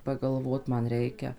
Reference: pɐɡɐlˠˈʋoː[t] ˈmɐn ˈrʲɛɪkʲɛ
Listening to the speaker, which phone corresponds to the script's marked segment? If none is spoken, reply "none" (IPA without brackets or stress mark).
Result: t